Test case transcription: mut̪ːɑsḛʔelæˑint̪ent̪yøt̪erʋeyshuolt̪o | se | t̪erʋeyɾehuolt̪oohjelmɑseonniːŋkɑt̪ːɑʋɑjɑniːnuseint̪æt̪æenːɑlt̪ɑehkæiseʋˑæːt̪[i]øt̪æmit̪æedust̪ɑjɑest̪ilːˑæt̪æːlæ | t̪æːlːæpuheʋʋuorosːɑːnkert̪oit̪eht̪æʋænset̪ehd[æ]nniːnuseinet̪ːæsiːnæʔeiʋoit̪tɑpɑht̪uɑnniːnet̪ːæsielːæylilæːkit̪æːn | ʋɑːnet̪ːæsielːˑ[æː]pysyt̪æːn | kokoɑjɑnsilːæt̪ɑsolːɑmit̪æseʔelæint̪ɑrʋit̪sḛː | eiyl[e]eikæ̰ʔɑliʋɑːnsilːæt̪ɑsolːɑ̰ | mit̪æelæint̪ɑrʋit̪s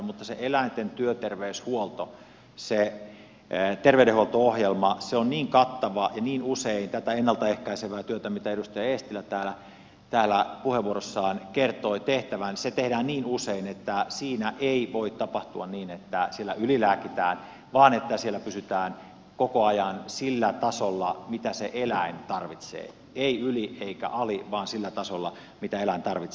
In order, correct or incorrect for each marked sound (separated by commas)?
incorrect, incorrect, incorrect, incorrect